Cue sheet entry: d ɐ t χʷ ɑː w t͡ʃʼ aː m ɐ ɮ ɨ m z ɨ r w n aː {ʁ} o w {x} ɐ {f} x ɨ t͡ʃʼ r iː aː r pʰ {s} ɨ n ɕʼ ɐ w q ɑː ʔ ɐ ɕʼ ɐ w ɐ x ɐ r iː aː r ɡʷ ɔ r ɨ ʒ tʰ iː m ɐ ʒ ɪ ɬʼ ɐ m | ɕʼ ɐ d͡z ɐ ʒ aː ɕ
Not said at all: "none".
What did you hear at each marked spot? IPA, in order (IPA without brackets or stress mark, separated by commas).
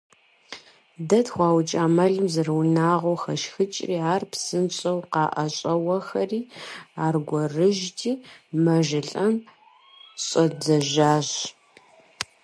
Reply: ʁ, x, ʃ, s